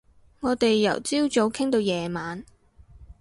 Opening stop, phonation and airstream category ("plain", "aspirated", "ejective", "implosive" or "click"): plain